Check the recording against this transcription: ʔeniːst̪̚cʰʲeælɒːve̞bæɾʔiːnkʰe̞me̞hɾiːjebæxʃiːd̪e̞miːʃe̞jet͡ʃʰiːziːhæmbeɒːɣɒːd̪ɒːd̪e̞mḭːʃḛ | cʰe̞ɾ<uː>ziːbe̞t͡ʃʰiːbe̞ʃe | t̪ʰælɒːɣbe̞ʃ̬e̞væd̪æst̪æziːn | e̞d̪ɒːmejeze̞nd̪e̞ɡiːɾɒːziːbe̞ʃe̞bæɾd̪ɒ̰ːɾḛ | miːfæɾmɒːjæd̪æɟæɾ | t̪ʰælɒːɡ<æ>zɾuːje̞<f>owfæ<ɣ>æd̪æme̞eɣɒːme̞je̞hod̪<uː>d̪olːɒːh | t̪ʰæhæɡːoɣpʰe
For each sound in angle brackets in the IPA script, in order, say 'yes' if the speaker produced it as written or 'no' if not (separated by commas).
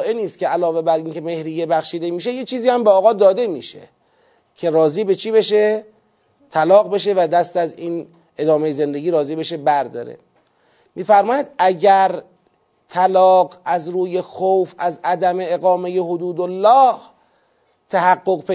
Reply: no, yes, no, no, yes